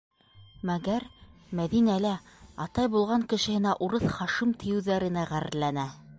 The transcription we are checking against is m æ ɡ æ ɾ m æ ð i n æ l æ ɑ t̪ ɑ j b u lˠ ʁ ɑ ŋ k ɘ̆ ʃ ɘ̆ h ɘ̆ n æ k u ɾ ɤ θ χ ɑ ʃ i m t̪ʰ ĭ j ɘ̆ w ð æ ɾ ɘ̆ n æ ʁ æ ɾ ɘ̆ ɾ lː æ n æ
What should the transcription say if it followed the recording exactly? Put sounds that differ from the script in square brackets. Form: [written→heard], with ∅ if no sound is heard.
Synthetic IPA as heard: m æ ɡ æ ɾ m æ ð i n æ l æ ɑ t̪ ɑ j b u lˠ ʁ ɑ ŋ k ɘ̆ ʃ ɘ̆ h ɘ̆ n æ [k→ʔ] u ɾ ɤ θ χ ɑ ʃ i m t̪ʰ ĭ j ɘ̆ w ð æ ɾ ɘ̆ n æ ʁ æ ɾ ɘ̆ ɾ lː æ n æ